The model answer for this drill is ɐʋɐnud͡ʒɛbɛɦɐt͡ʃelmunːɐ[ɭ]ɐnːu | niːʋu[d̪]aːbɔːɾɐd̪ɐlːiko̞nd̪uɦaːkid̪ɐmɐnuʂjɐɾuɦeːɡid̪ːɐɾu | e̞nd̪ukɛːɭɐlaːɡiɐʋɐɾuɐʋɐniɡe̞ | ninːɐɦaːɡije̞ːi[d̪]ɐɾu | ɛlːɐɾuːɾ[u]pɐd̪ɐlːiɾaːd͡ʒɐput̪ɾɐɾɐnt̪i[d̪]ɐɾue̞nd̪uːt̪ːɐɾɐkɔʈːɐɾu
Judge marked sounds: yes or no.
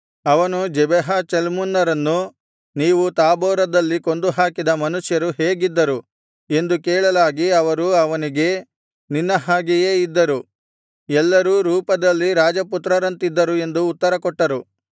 no, no, no, no, no

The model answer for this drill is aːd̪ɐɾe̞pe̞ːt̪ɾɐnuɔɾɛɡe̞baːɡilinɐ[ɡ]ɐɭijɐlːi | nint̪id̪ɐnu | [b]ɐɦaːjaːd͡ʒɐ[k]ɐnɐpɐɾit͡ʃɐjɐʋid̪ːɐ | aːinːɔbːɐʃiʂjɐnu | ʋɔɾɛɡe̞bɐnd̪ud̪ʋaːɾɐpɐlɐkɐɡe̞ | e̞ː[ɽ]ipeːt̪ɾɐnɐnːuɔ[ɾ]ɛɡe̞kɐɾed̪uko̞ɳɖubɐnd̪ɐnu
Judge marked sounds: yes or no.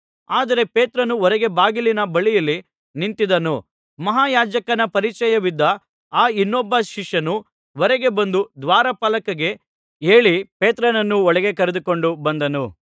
no, no, yes, no, no

